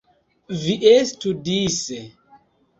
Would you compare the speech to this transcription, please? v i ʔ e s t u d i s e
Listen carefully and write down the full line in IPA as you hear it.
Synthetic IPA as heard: v i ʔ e s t u d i s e